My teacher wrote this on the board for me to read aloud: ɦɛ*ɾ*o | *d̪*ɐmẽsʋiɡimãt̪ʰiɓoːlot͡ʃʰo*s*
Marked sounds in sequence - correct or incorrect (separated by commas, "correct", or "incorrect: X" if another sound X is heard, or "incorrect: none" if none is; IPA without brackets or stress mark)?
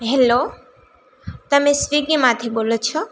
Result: incorrect: l, incorrect: t̪, incorrect: none